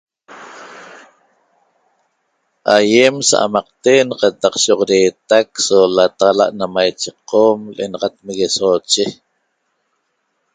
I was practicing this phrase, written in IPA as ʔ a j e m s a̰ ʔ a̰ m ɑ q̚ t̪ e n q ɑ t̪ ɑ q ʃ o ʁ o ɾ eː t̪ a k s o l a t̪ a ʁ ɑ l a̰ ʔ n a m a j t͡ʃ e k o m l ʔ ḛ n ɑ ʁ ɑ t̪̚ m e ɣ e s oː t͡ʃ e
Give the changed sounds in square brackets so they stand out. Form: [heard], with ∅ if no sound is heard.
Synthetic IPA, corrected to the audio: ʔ a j e m s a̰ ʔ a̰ m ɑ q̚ t̪ e n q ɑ t̪ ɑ q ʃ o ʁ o ɾ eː t̪ a k s o l a t̪ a ʁ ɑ l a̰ ʔ n a m a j t͡ʃ e [q] o m l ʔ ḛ n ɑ ʁ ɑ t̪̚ m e ɣ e s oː t͡ʃ e